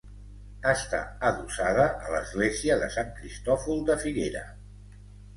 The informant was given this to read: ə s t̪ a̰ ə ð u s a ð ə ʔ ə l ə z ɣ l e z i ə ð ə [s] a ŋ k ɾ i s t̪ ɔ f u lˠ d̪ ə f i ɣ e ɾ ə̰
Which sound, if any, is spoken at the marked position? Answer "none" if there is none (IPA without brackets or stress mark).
s